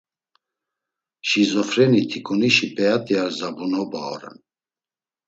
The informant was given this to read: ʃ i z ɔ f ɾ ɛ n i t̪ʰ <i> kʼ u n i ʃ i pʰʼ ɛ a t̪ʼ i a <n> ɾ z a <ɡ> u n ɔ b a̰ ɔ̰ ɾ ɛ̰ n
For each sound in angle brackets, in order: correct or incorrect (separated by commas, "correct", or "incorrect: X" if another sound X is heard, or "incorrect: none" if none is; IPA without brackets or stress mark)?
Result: correct, incorrect: none, incorrect: b